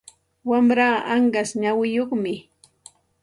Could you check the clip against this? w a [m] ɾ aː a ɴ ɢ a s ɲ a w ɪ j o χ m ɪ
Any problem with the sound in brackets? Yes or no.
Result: no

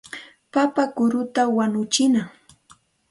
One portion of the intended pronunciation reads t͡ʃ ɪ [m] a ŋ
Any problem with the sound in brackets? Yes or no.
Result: yes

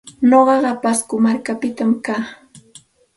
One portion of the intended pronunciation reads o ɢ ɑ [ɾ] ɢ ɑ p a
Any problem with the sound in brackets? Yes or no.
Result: yes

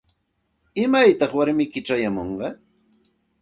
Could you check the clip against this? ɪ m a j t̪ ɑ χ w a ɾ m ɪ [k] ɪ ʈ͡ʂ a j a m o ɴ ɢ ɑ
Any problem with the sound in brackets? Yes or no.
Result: no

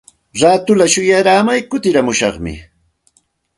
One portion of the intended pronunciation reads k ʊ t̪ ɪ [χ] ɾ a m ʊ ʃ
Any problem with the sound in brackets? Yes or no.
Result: yes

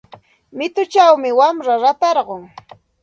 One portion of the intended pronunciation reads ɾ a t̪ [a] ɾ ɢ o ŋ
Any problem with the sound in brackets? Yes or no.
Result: yes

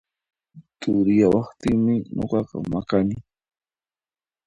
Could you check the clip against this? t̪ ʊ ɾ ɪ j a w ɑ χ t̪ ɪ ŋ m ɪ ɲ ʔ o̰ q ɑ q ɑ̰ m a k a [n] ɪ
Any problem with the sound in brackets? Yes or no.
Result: no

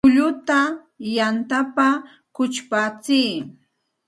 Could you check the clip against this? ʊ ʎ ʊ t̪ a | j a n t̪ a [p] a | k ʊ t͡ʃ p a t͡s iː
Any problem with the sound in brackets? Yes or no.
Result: no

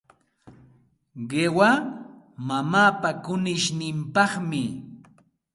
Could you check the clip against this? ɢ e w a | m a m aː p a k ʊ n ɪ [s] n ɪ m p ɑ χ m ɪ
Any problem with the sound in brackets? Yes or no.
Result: yes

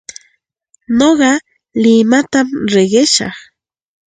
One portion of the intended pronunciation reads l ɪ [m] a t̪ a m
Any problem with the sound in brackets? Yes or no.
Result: no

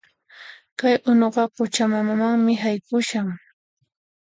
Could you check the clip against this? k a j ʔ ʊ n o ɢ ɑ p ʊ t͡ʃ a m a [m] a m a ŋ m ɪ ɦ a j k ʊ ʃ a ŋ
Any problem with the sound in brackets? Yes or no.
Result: no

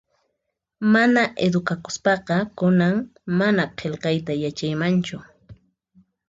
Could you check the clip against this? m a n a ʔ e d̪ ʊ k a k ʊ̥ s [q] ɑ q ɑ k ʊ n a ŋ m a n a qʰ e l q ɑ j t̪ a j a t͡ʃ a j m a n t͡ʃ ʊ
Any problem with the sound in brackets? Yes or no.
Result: yes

